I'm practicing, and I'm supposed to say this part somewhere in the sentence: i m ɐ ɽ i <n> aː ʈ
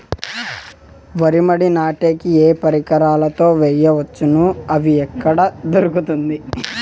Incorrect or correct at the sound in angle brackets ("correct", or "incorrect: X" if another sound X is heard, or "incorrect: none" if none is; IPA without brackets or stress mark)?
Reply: correct